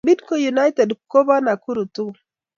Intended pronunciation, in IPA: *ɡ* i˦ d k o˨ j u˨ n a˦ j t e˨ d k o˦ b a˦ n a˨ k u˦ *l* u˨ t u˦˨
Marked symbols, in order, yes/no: no, no

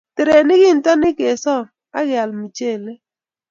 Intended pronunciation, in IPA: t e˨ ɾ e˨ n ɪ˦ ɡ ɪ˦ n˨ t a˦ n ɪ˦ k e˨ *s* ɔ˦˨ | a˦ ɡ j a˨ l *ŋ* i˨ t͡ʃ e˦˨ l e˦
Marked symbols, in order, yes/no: yes, no

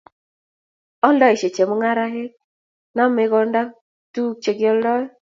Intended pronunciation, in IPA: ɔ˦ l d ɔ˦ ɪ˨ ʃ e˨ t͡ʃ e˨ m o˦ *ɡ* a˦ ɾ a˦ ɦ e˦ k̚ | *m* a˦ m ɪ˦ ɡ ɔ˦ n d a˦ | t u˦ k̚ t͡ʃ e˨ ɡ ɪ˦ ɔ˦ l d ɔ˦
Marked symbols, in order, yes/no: no, no

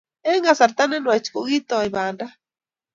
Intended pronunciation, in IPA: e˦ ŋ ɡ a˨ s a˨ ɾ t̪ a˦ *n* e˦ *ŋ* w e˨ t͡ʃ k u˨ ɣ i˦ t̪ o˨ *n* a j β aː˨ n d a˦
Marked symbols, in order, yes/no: yes, no, no

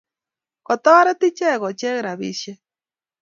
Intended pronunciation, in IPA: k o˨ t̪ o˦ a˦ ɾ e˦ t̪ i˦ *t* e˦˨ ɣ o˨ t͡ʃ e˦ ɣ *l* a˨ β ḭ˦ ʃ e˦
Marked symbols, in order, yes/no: no, no

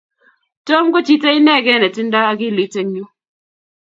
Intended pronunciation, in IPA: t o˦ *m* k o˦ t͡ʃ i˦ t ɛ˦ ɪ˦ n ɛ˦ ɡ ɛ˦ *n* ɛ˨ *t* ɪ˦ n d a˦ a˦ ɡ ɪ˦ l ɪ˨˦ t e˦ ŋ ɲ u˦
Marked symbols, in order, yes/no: yes, yes, yes

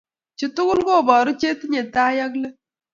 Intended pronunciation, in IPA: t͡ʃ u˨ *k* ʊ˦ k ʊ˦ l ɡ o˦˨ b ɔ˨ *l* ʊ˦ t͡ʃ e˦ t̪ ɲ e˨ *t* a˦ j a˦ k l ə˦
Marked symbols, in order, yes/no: no, no, yes

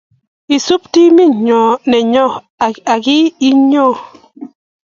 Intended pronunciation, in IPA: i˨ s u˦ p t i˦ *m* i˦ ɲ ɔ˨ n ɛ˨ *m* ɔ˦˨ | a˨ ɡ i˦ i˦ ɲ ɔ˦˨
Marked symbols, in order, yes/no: yes, no

